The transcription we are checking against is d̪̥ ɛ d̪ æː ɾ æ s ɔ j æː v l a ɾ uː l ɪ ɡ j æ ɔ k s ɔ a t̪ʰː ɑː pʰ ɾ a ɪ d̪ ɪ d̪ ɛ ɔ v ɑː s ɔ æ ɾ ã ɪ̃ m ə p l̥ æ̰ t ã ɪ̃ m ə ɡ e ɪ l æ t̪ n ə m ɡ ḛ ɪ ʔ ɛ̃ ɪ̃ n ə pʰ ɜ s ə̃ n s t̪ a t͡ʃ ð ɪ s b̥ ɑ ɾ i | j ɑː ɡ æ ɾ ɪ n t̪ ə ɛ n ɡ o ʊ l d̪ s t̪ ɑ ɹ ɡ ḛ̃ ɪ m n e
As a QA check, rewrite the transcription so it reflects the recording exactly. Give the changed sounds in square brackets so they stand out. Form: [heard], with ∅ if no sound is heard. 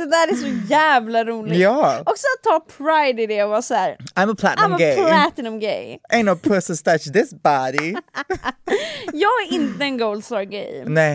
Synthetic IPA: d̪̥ ɛ d̪ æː ɾ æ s ɔ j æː v l a ɾ uː l ɪ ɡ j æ ɔ k s ɔ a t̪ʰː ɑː pʰ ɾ a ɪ d̪ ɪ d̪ ɛ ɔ v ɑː s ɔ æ ɾ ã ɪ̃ m ə [pʰ] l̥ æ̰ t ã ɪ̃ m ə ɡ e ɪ l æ t̪ n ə m ɡ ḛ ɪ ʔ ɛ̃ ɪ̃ n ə pʰ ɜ s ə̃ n s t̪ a t͡ʃ ð ɪ s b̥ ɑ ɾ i | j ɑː ɡ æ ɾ ɪ n t̪ ə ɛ n ɡ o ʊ l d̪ s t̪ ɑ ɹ ɡ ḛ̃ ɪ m n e